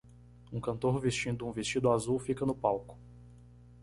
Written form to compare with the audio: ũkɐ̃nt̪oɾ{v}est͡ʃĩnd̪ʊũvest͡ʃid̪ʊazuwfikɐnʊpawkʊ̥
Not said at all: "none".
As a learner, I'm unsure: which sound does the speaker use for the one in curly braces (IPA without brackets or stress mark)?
v